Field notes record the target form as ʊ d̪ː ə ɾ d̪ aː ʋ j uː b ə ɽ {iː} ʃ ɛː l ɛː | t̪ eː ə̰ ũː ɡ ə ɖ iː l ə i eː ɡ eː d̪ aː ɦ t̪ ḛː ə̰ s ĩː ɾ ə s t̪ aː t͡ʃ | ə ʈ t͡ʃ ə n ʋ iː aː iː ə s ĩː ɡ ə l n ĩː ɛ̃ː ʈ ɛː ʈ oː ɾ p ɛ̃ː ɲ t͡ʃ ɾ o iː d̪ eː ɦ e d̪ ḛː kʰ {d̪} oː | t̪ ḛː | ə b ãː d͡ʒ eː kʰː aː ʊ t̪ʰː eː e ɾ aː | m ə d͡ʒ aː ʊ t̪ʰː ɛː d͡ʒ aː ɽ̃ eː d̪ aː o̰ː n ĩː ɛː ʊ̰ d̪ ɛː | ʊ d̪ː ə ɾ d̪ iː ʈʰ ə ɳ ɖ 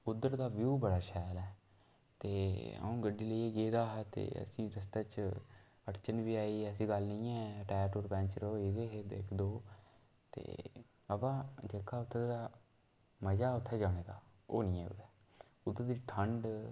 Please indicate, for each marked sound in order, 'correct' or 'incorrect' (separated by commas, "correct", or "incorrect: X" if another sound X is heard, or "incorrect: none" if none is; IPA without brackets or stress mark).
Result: incorrect: aː, correct